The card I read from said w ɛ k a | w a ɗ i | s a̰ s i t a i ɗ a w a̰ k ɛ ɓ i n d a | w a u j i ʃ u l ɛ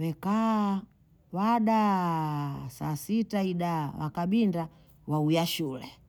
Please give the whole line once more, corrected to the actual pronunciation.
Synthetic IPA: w ɛ k a | w a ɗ a | s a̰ s i t a i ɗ a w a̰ k a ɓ i n d a | w a u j a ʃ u l ɛ